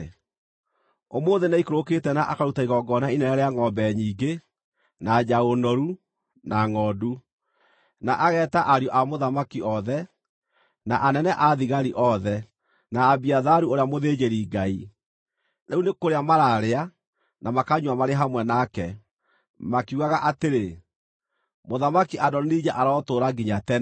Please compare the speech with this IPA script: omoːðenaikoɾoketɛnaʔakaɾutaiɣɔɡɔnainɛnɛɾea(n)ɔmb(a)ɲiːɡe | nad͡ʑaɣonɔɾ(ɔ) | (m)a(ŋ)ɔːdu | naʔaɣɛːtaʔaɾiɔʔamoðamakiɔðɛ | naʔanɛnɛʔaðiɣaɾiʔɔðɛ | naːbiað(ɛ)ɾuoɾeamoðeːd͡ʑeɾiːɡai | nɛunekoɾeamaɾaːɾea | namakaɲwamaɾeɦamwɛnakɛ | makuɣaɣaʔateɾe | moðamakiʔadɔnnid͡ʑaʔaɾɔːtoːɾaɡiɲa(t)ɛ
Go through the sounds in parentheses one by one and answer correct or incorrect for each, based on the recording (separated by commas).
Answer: incorrect, incorrect, incorrect, incorrect, correct, incorrect, correct